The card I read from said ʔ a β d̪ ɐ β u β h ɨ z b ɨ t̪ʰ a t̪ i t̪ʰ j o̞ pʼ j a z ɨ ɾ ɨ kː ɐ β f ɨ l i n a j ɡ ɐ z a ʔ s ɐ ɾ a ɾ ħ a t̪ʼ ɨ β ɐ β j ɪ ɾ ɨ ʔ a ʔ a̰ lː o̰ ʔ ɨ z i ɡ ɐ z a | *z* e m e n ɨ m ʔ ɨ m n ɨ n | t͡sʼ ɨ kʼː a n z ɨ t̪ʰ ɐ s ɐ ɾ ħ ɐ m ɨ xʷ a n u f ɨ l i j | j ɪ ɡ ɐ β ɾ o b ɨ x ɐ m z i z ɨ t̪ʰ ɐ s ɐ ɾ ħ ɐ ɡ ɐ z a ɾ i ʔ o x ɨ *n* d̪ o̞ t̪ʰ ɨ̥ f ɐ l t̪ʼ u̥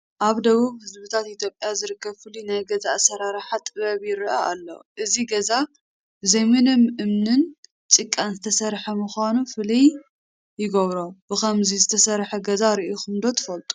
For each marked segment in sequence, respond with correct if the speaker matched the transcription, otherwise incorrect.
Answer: correct, incorrect: m

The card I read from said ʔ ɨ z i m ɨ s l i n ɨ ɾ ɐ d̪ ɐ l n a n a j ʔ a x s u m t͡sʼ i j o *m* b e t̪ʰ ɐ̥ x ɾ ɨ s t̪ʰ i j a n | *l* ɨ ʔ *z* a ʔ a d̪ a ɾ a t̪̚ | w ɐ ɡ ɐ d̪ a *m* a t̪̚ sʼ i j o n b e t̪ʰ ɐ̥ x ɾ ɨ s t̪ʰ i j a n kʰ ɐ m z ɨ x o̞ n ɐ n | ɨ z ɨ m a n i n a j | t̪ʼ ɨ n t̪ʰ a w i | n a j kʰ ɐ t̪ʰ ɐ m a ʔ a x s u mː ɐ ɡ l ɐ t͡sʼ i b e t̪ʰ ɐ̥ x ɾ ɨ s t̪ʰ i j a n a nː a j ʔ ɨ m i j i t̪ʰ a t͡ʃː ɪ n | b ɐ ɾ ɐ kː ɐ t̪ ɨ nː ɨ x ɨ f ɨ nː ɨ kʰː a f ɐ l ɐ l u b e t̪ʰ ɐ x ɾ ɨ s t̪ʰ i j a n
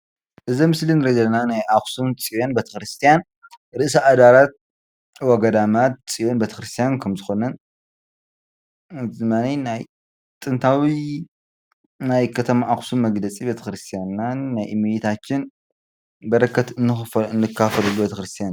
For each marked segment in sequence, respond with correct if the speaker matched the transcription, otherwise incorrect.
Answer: incorrect: n, incorrect: ɾ, incorrect: s, correct

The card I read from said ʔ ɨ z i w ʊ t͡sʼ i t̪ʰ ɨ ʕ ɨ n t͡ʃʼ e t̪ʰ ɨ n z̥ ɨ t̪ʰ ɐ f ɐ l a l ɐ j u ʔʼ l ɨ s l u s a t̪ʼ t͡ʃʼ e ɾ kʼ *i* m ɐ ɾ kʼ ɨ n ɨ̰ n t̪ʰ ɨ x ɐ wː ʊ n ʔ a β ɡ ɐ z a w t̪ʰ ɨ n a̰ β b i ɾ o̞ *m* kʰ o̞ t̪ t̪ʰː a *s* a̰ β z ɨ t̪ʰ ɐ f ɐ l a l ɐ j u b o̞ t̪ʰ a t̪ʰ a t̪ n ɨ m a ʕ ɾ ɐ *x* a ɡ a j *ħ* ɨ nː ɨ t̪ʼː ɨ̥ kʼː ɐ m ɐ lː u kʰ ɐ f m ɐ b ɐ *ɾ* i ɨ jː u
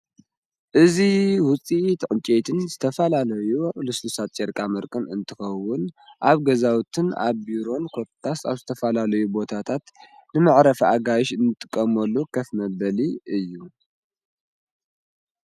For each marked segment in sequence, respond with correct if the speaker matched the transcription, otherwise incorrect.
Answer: incorrect: a, incorrect: n, correct, incorrect: f, incorrect: ʃ, incorrect: l

